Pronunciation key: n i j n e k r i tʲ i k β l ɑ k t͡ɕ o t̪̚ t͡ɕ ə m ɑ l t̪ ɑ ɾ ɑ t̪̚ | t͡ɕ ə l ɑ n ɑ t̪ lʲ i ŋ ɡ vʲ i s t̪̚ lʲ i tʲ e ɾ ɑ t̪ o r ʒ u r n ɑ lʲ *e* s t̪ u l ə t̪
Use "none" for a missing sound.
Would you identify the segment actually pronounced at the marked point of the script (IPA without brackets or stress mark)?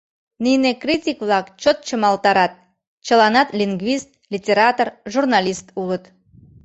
i